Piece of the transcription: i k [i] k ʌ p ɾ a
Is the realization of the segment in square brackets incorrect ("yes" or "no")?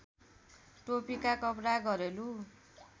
yes